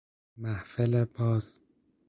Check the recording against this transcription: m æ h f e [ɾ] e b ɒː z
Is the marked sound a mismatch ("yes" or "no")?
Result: yes